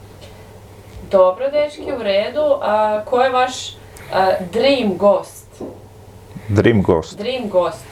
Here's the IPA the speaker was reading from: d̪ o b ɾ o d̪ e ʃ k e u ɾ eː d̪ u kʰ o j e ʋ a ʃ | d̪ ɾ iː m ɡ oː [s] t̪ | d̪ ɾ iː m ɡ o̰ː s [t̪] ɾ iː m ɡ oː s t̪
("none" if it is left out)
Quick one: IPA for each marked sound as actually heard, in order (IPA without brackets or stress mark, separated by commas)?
s, d̪